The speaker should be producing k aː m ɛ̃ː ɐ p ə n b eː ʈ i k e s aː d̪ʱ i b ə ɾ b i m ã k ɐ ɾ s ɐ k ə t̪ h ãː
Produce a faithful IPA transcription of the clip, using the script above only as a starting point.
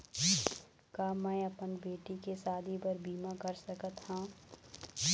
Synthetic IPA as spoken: k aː m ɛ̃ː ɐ p ə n b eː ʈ i k e s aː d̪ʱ i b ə ɾ b iː m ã k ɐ ɾ s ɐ k ə t̪ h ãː